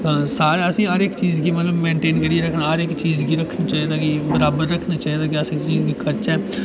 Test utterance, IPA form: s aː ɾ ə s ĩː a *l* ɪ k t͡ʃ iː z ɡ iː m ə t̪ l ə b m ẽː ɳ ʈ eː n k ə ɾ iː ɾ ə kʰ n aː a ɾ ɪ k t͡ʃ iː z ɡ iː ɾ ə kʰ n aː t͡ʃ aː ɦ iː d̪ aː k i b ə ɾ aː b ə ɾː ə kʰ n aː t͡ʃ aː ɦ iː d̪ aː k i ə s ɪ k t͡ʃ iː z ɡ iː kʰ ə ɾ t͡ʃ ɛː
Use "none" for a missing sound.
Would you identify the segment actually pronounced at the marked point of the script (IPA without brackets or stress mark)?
ɾ